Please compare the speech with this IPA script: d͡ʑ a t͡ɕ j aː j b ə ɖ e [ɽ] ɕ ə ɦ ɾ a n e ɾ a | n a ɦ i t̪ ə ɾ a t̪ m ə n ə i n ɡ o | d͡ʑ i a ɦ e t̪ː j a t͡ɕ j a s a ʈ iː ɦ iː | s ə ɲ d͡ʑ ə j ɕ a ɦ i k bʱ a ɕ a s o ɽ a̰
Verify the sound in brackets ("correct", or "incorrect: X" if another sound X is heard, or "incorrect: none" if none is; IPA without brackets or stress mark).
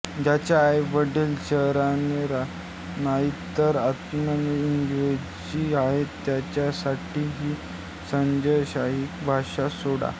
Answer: incorrect: l